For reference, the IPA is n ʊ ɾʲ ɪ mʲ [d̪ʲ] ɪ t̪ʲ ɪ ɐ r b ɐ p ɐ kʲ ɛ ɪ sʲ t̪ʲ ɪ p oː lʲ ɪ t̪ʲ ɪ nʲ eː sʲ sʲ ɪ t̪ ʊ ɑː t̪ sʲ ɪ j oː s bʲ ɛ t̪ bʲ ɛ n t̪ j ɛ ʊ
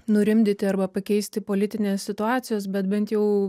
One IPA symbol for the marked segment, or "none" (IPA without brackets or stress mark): d̪ʲ